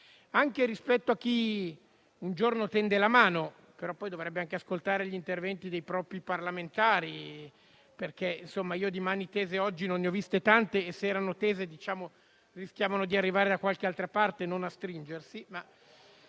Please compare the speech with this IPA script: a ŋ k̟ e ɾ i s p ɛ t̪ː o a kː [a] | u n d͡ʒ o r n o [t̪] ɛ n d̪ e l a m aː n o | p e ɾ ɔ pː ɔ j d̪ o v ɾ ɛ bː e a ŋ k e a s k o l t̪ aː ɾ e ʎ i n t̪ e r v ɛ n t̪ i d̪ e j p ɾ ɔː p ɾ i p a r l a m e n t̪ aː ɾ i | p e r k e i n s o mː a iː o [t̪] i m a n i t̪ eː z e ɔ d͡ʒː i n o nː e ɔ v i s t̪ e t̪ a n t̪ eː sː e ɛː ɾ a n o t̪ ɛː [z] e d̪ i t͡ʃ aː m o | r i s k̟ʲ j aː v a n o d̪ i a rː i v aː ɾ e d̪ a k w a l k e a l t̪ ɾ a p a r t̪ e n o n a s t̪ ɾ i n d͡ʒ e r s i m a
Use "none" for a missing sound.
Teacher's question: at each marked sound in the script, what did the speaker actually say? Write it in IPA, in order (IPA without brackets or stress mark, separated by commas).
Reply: i, t̪, d̪, z